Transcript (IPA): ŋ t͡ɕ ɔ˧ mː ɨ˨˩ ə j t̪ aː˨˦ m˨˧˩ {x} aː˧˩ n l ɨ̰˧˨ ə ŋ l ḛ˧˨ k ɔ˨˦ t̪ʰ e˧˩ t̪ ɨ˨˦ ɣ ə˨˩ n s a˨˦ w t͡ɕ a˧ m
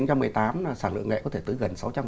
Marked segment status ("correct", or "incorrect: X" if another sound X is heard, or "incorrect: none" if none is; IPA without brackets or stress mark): incorrect: s